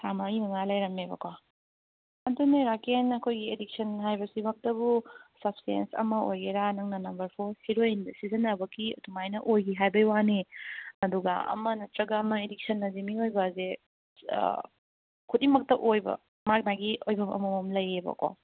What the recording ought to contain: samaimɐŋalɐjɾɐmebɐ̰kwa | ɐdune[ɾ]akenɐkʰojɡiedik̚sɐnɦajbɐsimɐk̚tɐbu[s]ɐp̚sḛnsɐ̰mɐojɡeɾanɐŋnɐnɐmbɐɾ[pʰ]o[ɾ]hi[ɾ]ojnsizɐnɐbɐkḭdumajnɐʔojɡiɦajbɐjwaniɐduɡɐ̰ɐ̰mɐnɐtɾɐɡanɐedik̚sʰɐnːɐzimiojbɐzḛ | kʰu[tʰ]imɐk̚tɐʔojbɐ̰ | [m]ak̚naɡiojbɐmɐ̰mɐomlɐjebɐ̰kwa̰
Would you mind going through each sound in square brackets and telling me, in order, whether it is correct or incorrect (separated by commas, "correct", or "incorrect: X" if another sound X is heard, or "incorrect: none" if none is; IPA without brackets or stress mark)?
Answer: correct, correct, correct, correct, correct, incorrect: t, correct